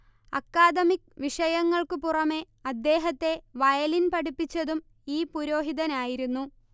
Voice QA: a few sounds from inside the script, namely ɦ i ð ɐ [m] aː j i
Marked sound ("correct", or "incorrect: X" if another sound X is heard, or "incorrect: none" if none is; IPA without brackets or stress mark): incorrect: n